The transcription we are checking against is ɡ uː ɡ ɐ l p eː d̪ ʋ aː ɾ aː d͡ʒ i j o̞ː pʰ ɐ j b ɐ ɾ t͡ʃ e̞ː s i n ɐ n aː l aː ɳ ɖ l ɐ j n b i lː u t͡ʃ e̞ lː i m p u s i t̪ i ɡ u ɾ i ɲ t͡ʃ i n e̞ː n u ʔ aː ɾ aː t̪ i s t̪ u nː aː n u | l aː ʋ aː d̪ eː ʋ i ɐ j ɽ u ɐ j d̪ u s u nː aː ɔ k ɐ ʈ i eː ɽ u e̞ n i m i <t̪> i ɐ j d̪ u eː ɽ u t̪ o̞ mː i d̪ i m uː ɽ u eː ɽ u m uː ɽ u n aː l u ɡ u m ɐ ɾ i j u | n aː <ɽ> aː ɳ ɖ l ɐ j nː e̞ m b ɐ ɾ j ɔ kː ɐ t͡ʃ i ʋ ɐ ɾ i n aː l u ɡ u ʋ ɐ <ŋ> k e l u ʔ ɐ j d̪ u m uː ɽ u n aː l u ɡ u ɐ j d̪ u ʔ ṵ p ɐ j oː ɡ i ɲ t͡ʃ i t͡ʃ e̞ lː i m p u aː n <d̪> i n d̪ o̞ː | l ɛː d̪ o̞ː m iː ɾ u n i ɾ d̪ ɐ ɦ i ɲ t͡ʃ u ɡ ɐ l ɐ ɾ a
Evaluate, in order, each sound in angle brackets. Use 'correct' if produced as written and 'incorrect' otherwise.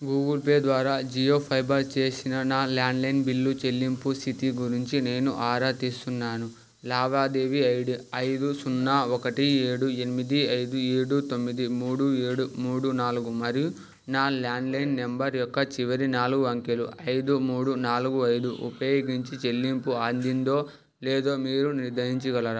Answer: incorrect: d̪, incorrect: l, correct, correct

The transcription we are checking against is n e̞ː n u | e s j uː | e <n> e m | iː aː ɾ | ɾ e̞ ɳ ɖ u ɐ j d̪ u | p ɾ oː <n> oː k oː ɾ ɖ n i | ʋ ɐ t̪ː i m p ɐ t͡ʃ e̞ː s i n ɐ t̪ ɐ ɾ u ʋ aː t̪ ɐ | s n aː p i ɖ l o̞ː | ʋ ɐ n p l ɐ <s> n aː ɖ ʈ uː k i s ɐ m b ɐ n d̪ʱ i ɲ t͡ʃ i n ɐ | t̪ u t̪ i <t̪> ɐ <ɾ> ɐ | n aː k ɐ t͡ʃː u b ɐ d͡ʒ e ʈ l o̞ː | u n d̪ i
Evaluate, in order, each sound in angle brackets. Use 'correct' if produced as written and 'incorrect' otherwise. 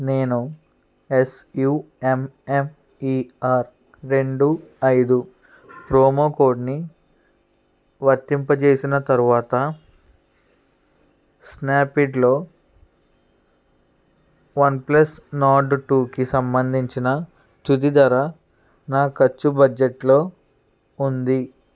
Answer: incorrect: m, incorrect: m, correct, incorrect: d̪, correct

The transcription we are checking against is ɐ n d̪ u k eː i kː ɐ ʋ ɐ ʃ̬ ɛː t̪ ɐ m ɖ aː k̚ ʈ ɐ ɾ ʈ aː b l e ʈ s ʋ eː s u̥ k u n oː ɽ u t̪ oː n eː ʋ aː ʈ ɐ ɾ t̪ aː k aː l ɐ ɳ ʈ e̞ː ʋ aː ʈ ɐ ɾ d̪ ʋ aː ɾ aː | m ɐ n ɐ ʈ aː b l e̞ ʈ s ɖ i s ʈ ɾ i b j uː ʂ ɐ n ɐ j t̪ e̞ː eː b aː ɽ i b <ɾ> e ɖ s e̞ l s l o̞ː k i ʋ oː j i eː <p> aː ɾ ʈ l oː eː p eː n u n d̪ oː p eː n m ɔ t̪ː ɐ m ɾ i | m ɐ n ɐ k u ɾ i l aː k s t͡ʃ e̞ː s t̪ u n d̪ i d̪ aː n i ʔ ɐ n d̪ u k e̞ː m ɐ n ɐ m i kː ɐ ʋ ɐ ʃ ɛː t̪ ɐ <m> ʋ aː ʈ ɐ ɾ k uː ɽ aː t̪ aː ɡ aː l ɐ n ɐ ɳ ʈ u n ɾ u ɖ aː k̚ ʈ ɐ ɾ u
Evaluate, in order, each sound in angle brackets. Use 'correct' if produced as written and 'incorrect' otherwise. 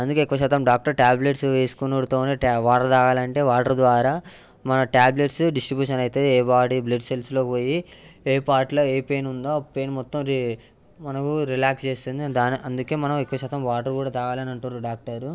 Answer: incorrect: l, correct, correct

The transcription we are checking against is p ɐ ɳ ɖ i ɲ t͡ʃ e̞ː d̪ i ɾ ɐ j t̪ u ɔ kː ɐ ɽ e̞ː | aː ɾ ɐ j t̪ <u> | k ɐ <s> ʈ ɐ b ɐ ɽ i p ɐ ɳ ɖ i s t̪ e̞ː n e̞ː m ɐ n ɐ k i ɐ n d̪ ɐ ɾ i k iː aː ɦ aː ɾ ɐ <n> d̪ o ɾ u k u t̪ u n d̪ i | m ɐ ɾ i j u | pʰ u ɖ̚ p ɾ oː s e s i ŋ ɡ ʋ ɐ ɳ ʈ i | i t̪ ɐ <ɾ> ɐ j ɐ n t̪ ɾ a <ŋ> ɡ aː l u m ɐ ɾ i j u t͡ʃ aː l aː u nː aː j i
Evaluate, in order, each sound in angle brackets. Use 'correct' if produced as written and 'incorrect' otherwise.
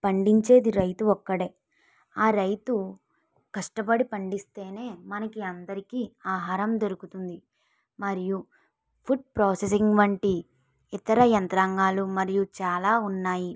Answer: correct, incorrect: ʂ, incorrect: m, correct, correct

